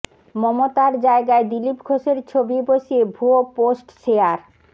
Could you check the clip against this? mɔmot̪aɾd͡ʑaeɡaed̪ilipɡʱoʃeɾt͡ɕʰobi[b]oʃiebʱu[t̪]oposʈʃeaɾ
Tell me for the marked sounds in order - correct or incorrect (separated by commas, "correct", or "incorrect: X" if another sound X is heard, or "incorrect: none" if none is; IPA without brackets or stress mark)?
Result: correct, incorrect: none